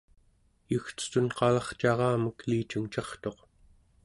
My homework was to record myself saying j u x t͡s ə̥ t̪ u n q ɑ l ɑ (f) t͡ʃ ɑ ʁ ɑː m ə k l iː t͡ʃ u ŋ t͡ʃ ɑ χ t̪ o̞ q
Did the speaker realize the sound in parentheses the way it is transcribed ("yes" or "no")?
no